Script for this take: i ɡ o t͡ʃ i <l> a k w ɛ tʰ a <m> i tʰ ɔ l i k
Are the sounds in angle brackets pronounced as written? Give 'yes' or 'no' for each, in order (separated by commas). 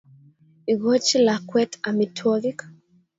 yes, yes